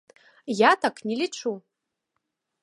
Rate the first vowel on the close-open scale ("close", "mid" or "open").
open